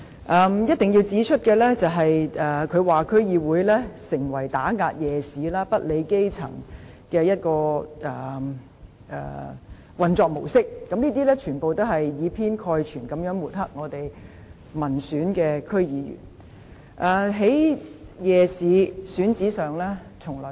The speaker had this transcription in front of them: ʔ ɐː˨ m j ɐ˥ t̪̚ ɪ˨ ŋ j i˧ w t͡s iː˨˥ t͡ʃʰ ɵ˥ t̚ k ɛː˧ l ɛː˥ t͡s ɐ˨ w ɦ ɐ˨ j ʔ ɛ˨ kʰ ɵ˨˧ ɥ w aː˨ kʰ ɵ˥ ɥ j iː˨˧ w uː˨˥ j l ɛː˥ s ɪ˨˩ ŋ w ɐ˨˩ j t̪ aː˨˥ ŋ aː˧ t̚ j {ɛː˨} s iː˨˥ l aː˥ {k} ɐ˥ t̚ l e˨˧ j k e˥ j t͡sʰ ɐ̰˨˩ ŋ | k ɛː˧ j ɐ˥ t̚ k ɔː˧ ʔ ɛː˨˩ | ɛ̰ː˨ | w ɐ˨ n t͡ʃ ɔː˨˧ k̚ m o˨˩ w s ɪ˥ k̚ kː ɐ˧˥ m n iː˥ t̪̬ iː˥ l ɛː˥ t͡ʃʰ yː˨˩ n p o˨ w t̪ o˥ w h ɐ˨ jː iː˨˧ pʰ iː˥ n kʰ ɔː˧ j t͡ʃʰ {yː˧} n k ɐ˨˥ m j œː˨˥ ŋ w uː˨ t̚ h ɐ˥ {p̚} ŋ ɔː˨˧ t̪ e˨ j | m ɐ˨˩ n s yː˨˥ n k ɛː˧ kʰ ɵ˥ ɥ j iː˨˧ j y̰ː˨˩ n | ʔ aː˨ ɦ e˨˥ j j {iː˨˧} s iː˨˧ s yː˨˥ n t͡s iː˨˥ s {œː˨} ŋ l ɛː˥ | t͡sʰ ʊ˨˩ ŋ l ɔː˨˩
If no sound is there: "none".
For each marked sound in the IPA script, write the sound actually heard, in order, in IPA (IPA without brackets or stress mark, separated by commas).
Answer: ɛː˨, p, yː˨˩, k̚, ɛː˨˧, œː˨